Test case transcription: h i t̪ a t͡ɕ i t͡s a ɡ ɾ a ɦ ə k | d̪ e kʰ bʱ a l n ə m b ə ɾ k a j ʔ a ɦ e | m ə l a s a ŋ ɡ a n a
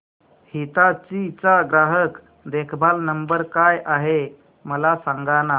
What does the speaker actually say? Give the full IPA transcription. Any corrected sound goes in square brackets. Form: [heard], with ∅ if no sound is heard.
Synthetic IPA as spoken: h i t̪ a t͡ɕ i t͡s a ɡ ɾ a ɦ ə k | d̪ e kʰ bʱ a l n ə m b ə ɾ k a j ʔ a ɦ e | m ə l a s a ŋ ɡ a n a